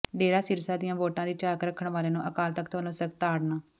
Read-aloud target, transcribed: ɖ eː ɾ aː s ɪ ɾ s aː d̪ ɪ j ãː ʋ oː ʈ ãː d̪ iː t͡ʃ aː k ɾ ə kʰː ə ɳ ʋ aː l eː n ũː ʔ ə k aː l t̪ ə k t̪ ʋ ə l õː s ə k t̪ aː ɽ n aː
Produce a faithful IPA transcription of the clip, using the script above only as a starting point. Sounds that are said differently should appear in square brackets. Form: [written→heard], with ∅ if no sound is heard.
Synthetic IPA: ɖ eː ɾ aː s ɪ ɾ s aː d̪ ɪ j ãː ʋ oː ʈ ãː d̪ iː t͡ʃ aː k ɾ ə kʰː ə ɳ ʋ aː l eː n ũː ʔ ə k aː l t̪ ə k t̪ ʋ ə l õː s ə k t̪ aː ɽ n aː